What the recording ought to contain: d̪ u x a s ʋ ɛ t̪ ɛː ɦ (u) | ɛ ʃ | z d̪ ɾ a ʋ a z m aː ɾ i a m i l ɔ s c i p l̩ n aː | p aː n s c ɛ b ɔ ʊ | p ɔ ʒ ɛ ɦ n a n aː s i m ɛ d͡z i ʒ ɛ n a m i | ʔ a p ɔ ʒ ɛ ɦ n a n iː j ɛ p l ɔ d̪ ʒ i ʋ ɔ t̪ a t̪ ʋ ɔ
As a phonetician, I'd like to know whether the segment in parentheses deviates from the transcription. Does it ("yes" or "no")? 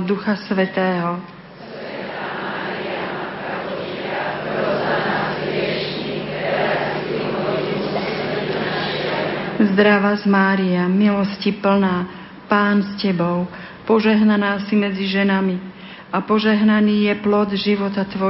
yes